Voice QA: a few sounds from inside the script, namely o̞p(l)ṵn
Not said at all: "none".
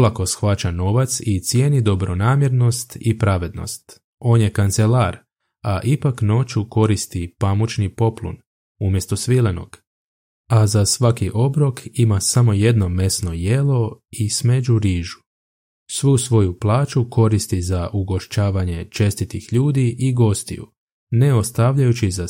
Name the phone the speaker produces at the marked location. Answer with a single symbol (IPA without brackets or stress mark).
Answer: l